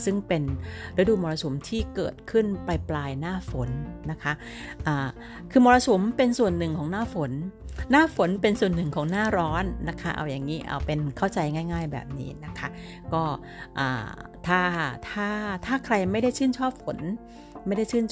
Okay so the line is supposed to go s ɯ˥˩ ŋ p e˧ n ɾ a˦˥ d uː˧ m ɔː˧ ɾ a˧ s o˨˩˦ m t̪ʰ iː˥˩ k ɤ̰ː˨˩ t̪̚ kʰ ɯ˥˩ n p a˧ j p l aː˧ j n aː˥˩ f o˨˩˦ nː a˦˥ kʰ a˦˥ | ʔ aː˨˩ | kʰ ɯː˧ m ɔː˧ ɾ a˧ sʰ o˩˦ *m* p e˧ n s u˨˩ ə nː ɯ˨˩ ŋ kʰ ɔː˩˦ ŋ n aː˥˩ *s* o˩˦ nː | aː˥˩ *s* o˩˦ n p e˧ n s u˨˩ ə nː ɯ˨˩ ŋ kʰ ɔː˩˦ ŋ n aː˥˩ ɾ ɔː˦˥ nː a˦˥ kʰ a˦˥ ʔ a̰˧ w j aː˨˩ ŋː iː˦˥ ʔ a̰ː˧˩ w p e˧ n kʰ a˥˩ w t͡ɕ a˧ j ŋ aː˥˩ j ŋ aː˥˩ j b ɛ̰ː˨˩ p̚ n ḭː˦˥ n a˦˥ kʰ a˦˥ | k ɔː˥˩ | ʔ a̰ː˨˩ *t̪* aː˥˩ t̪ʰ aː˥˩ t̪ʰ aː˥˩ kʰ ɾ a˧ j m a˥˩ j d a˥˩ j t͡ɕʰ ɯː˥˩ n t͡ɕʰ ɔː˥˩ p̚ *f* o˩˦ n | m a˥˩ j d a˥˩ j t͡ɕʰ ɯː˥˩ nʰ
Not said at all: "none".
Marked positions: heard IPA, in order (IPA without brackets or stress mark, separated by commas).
m, f, f, t̪ʰ, f